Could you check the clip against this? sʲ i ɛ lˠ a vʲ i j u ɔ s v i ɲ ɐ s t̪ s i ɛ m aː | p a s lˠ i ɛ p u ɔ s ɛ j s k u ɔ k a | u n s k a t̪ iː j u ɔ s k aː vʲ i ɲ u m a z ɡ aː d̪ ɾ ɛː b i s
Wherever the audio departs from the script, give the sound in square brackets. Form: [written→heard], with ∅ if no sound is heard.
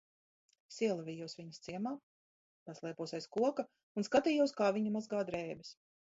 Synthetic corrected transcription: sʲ i ɛ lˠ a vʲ i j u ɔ s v i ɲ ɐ s t̪ s i ɛ m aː | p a s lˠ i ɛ p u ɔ s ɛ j s k u ɔ k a | u n s k a t̪ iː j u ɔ s k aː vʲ i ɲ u m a z ɡ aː d̪ ɾ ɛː b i s